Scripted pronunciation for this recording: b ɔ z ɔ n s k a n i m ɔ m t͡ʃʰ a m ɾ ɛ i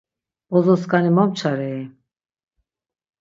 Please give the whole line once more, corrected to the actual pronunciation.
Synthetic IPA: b ɔ z ɔ s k a n i m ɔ m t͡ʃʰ a ɾ ɛ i